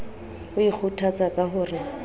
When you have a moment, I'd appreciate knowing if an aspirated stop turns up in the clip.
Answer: yes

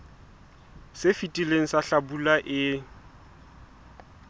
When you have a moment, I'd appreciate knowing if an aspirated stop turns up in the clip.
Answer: no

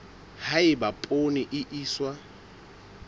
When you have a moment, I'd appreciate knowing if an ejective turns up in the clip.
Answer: yes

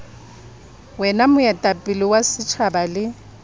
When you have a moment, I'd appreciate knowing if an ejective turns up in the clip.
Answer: yes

